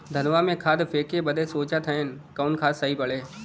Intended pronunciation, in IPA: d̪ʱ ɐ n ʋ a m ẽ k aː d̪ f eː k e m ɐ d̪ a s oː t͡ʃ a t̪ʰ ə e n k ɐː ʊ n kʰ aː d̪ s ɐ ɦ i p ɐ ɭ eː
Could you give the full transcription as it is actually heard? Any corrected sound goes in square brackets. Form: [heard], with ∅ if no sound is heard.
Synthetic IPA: d̪ʱ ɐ n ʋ a m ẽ [kʰ] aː d̪ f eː k e [b] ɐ d̪ [e] s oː t͡ʃ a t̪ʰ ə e n k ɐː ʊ n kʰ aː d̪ s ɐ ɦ i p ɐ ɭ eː